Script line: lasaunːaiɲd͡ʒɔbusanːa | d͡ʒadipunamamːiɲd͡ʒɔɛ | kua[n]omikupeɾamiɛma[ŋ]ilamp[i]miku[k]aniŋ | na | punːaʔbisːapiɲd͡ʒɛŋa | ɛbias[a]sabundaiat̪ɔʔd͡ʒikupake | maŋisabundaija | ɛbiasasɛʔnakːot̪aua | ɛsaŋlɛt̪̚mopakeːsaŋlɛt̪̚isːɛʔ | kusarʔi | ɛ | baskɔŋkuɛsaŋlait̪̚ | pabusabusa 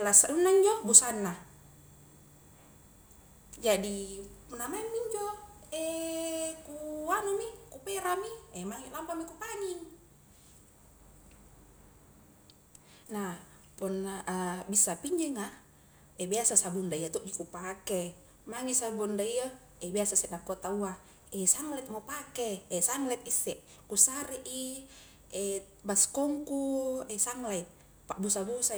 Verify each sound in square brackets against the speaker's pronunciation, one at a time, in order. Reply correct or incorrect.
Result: correct, correct, incorrect, incorrect, correct

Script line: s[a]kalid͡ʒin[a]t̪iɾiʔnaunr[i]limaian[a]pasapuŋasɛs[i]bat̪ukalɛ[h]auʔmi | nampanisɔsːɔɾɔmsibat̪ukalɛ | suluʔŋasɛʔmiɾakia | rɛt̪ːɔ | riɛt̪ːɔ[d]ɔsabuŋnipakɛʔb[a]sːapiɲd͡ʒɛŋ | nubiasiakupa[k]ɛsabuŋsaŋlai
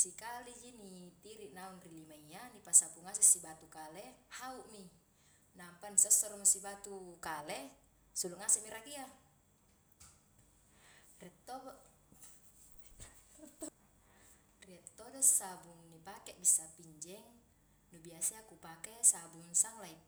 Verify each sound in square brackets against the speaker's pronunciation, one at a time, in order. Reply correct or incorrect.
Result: incorrect, incorrect, correct, incorrect, correct, correct, correct, incorrect, correct

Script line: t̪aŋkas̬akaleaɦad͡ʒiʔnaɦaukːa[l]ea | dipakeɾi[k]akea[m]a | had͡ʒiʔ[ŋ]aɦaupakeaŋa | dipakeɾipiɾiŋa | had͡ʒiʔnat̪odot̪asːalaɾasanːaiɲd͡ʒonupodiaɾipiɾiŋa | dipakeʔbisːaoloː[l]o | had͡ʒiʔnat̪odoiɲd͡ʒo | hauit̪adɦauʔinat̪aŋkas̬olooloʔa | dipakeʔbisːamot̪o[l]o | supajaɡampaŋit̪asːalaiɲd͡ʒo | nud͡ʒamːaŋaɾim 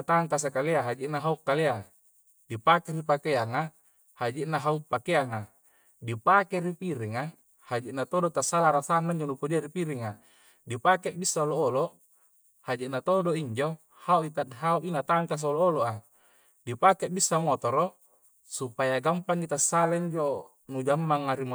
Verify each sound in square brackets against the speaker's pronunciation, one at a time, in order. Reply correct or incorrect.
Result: correct, incorrect, incorrect, incorrect, correct, incorrect

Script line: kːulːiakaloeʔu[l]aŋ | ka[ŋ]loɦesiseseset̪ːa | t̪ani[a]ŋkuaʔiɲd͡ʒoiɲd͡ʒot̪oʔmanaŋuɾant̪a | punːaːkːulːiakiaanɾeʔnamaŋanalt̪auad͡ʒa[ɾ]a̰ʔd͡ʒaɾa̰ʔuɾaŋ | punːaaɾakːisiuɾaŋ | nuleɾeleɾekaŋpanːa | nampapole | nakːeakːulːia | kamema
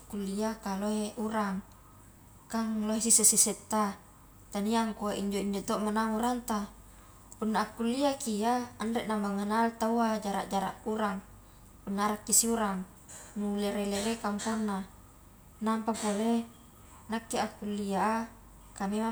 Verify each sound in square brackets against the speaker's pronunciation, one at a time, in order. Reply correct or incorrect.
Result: incorrect, correct, correct, correct

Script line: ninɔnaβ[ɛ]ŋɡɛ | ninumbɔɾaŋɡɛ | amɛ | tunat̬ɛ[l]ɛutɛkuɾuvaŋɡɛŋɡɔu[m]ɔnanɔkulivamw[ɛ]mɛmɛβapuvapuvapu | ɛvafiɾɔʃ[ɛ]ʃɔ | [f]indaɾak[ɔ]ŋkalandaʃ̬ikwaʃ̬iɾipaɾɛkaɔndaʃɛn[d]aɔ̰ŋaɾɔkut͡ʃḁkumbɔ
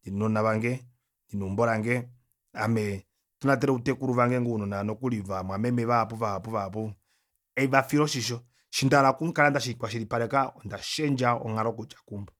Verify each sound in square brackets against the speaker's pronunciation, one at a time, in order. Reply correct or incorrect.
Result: incorrect, incorrect, incorrect, incorrect, incorrect, incorrect, incorrect, incorrect

